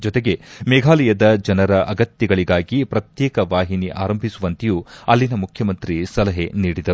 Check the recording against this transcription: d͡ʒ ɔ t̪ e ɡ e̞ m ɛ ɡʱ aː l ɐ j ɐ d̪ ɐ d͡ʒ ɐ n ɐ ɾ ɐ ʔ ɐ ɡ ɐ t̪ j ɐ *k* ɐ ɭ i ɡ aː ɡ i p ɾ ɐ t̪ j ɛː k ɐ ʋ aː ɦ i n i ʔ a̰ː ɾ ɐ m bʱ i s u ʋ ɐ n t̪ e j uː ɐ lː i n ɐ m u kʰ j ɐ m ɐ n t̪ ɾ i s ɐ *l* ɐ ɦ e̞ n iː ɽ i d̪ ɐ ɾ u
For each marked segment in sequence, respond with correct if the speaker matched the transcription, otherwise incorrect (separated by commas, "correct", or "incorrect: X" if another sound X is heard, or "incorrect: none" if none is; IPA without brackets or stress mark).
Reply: incorrect: ɡ, correct